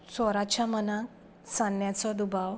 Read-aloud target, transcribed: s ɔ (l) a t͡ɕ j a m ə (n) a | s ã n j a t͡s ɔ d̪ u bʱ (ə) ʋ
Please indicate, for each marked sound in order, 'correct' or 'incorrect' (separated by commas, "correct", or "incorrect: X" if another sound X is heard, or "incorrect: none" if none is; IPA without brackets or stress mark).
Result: incorrect: ɾ, correct, incorrect: a